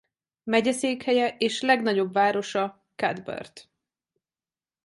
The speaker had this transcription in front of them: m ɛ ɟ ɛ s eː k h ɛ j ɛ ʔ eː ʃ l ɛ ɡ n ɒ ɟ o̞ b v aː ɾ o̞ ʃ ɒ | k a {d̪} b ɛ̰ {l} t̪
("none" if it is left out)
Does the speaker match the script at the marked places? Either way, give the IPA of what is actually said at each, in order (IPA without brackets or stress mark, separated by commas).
d̪, r